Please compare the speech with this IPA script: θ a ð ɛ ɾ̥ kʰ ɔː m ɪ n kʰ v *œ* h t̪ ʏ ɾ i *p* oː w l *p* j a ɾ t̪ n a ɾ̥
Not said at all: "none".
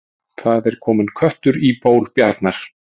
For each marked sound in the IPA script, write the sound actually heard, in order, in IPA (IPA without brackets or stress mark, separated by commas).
œ, p, p